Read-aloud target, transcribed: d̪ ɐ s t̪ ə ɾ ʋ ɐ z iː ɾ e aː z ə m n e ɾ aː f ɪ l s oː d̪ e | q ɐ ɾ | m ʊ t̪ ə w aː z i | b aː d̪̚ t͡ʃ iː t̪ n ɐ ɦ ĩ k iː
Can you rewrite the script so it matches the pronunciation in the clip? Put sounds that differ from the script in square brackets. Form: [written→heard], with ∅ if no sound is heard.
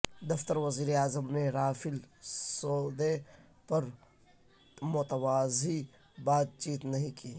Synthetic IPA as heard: d̪ ɐ [s→f] t̪ ə ɾ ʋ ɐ z iː ɾ e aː z ə m n e ɾ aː f ɪ l s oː d̪ e | [q→p] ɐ ɾ | m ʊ t̪ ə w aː z i | b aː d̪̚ t͡ʃ iː t̪ n ɐ ɦ ĩ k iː

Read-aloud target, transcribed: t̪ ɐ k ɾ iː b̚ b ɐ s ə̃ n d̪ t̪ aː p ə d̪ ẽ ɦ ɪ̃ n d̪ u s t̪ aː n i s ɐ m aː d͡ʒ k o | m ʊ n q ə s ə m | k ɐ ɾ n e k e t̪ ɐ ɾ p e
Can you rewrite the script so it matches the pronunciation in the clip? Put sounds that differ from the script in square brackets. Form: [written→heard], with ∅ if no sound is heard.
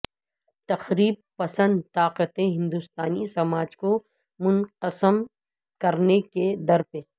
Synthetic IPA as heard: t̪ ɐ [k→x] ɾ iː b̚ [b→p] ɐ s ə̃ n d̪ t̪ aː [p→q] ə [d̪→t̪] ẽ ɦ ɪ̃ n d̪ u s t̪ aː n i s ɐ m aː d͡ʒ k o | m ʊ n q ə s ə m | k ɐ ɾ n e k e [t̪→d̪] ɐ ɾ p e

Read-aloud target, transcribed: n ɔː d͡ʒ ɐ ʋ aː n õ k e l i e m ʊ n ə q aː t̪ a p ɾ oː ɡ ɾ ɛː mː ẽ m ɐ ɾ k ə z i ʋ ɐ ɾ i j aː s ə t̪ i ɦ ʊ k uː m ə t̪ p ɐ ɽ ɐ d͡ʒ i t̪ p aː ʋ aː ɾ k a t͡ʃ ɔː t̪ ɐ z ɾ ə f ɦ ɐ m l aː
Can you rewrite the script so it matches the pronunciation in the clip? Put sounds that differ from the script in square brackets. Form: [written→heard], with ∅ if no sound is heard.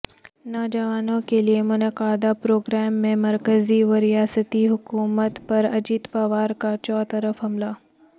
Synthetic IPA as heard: n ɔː d͡ʒ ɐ ʋ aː n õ k e l i e m ʊ n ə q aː [t̪→d̪] a p ɾ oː ɡ ɾ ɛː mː ẽ m ɐ ɾ k ə z i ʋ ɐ ɾ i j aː s ə t̪ i ɦ ʊ k uː m ə t̪ p ɐ [ɽ→ɾ] ɐ d͡ʒ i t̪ p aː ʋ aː ɾ k a t͡ʃ ɔː t̪ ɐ [z→∅] ɾ ə f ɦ ɐ m l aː

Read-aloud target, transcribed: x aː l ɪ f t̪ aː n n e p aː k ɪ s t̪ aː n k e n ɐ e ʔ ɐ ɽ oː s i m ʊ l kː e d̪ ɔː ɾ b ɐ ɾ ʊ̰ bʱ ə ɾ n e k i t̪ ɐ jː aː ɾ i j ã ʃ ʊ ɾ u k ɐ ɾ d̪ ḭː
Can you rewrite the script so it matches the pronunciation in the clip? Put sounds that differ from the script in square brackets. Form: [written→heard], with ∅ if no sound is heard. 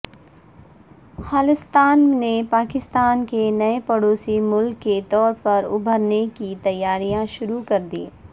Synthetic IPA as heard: x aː l ɪ [f→s] t̪ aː n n e p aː k ɪ s t̪ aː n k e n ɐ e [ʔ→p] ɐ ɽ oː s i m ʊ l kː e [d̪→t̪] ɔː ɾ [b→p] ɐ ɾ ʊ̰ bʱ ə ɾ n e k i t̪ ɐ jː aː ɾ i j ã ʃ ʊ ɾ u k ɐ ɾ d̪ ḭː

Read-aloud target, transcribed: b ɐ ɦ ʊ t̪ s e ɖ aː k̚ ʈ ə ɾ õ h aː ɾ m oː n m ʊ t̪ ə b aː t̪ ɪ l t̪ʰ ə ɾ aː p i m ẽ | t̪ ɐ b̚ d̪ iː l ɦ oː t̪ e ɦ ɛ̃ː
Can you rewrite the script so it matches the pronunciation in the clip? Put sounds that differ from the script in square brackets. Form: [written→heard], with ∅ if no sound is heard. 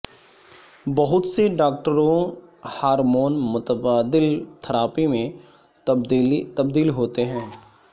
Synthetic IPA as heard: b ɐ ɦ ʊ t̪ s e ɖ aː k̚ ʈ ə ɾ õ h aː ɾ m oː n m ʊ t̪ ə b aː [t̪→d̪] ɪ l t̪ʰ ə ɾ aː p i m ẽ | t̪ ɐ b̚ d̪ iː l ɦ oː t̪ e ɦ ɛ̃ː

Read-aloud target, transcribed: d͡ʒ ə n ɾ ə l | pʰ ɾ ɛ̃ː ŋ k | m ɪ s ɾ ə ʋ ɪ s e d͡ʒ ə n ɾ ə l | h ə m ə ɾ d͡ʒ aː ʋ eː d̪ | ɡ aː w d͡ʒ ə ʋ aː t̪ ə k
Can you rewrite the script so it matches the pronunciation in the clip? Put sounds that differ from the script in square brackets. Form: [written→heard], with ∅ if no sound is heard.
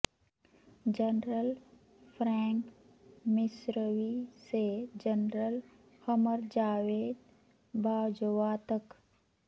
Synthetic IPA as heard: d͡ʒ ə n ɾ ə l | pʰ ɾ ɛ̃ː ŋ k | m ɪ s ɾ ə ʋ [ɪ→i] s e d͡ʒ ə n ɾ ə l | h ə m ə ɾ d͡ʒ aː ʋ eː d̪ | [ɡ→b] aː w d͡ʒ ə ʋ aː t̪ ə k

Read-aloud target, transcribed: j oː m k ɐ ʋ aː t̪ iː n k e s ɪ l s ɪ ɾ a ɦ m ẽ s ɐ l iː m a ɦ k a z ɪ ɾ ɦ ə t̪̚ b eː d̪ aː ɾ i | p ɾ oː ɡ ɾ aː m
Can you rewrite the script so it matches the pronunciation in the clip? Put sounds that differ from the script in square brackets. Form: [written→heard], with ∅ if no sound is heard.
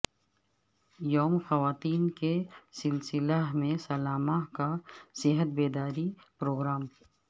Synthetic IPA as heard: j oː m [k→x] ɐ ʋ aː t̪ iː n k e s ɪ l s ɪ [ɾ→l] a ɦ m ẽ s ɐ l [iː→aː] m a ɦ k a [z→s] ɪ [ɾ→∅] ɦ ə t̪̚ b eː d̪ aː ɾ i | p ɾ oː ɡ ɾ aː m

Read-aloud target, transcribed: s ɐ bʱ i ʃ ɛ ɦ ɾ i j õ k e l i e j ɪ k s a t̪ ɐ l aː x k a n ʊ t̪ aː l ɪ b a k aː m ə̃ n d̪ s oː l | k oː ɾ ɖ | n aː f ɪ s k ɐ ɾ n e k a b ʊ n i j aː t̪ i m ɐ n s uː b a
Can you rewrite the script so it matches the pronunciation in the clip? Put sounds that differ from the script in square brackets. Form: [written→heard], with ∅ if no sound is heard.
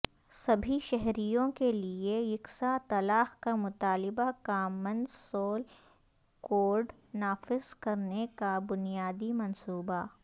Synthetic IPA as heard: s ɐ bʱ i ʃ ɛ ɦ ɾ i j õ k e l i e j ɪ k s a t̪ ɐ l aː x k a [n→m] ʊ t̪ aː l ɪ b a k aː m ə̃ n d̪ s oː l | k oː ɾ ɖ | n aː f ɪ [s→z] k ɐ ɾ n e k a b ʊ n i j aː [t̪→d̪] i m ɐ n s uː b a

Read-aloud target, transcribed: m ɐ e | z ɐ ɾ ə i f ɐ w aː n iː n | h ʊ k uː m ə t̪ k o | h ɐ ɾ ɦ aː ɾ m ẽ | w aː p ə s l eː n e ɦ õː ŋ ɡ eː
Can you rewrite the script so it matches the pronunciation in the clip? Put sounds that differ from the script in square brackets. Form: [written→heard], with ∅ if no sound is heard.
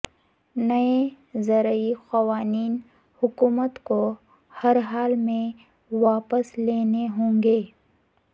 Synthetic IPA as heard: [m→n] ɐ e | z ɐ ɾ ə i [f→x] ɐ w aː n iː n | h ʊ k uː m ə t̪ k o | h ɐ ɾ ɦ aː [ɾ→l] m ẽ | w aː p ə s l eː n e ɦ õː ŋ ɡ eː

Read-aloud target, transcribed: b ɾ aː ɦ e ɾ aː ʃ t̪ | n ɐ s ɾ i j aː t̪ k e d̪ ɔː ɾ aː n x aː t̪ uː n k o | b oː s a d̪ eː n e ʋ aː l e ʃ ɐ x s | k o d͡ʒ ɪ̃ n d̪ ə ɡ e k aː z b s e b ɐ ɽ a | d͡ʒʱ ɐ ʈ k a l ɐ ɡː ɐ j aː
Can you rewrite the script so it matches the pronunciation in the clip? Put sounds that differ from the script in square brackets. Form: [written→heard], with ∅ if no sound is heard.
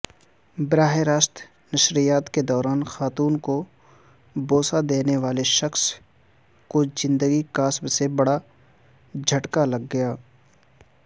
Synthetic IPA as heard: b ɾ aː ɦ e ɾ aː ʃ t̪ | n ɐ [s→ʃ] ɾ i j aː t̪ k e d̪ ɔː ɾ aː n x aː t̪ uː n k o | b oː s a d̪ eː n e ʋ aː l e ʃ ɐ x s | k o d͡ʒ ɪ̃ n d̪ ə ɡ [e→i] k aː [z→s] b s e b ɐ ɽ a | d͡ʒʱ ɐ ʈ k a l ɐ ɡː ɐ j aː

